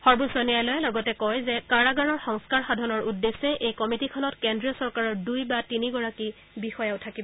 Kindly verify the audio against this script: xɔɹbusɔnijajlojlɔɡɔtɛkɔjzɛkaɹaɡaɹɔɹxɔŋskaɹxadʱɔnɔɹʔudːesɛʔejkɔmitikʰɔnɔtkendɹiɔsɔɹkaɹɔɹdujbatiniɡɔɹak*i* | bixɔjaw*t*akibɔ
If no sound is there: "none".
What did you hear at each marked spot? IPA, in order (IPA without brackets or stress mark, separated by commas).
i, tʰ